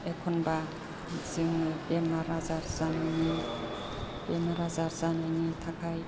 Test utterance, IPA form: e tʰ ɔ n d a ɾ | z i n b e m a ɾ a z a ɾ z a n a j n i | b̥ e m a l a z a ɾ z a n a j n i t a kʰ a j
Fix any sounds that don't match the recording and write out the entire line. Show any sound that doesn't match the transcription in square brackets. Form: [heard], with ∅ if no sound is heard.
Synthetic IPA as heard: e [kʰ] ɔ n [b] a [∅] | z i [ŋ] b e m a ɾ a z a ɾ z a n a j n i | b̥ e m a [ɾ] a z a ɾ z a n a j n i [tʰ] a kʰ a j